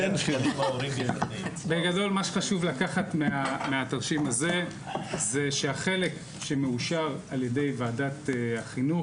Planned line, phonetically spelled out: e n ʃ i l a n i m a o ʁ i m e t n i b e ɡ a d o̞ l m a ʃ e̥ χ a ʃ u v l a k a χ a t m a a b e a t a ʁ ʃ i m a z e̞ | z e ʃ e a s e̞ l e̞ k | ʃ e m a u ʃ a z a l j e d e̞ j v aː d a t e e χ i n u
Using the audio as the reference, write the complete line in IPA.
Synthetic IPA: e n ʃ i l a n i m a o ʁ i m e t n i b e ɡ a d o̞ l m a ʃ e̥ χ a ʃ u v l a k a χ a t m e a m e a t a ʁ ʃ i m a z e̞ | z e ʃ e a χ e̞ l e̞ k | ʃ e m e u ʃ a ʁ a l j e d e̞ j v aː d a t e a χ i n u